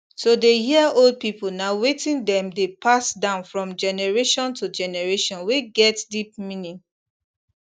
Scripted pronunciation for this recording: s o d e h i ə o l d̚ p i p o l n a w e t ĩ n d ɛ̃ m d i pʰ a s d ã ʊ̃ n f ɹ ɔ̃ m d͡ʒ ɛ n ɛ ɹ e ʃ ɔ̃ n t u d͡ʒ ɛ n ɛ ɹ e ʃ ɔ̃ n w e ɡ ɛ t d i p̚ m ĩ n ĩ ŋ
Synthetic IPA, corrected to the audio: s o d e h i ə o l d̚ p i p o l n a w e t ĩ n d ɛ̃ m d e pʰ a s d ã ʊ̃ n f ɹ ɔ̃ m d͡ʒ ɛ n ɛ ɹ e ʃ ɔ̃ n t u d͡ʒ ɛ n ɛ ɹ e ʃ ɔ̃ n w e ɡ ɛ t d i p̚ m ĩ n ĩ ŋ